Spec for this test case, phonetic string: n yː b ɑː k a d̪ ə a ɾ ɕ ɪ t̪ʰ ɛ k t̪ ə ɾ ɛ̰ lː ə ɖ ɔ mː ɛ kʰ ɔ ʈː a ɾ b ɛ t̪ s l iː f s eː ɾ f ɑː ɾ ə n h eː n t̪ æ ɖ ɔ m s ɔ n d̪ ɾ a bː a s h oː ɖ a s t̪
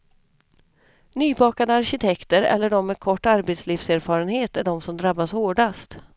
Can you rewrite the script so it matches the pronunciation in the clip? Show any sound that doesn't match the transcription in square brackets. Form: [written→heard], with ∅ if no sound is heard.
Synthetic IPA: n yː b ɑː k a d̪ ə a ɾ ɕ ɪ t̪ʰ ɛ k t̪ ə ɾ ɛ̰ lː ə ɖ ɔ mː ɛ kʰ ɔ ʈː a ɾ b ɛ t̪ s l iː f s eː ɾ f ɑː ɾ ə n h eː [n→∅] t̪ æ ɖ ɔ m s ɔ [n→m] d̪ ɾ a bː a s h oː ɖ a s t̪